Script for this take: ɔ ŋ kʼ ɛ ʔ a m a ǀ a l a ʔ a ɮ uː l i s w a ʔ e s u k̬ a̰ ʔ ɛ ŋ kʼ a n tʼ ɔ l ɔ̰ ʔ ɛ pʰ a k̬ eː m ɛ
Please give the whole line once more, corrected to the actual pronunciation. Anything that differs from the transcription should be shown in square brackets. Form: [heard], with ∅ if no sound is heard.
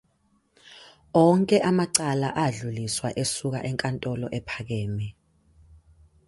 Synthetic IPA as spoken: ɔ ŋ kʼ ɛ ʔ a m a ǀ a l a ʔ a ɮ [u] l i s w a ʔ e s u k̬ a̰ ʔ ɛ ŋ kʼ a n tʼ ɔ l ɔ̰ ʔ ɛ pʰ a k̬ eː m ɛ